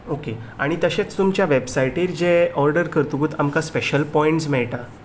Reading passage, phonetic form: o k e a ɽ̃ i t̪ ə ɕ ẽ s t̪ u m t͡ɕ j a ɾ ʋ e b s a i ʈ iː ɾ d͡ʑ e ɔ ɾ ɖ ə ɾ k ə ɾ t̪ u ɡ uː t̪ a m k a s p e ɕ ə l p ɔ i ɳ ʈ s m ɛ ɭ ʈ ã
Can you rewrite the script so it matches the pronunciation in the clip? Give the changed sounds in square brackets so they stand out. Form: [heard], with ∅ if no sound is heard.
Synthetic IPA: o k e a ɽ̃ i t̪ ə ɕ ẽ [t͡s] t̪ u m t͡ɕ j a [∅] ʋ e b s a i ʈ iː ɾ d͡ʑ e ɔ ɾ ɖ ə ɾ k ə ɾ t̪ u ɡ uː t̪ a m k a s p e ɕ ə l p ɔ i ɳ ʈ s m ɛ ɭ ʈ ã